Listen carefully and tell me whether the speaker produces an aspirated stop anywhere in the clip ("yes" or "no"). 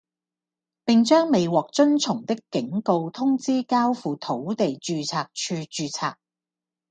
yes